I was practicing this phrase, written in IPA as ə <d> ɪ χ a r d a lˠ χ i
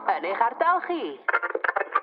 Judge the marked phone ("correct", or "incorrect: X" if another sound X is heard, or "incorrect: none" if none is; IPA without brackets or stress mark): incorrect: n